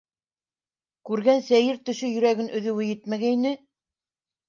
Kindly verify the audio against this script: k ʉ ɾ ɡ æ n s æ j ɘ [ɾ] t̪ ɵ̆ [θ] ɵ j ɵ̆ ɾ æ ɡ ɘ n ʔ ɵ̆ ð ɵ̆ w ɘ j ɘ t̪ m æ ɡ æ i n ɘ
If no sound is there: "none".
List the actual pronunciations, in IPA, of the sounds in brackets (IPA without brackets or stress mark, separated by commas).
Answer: ɾ, ʃ